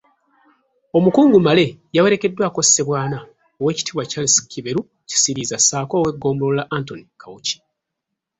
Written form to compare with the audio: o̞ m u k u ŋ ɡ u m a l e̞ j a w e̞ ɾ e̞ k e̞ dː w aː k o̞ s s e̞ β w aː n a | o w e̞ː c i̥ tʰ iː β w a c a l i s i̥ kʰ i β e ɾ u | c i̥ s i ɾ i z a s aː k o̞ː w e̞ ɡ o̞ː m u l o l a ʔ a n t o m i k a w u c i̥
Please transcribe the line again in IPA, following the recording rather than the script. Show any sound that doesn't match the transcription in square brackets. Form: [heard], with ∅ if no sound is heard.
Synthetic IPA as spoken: o̞ m u k [uː] ŋ ɡ u m a l e̞ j a w e̞ ɾ e̞ k e̞ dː w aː k o̞ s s e̞ β w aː n a | o w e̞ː c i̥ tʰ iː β w a c a l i s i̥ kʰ i β e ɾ u | c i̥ s i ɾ i z a s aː k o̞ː w e̞ ɡ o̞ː m u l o l a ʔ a n t o [n] i k a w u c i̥